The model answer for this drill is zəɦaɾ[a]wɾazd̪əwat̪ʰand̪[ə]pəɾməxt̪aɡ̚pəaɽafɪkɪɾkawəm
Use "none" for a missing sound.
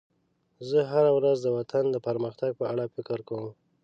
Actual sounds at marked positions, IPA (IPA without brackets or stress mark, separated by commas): a, ə